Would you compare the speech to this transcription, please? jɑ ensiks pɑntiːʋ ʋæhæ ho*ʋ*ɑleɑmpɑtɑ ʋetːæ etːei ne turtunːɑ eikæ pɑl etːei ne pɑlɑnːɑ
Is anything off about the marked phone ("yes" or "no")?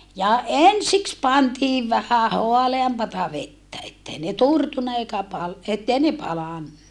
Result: yes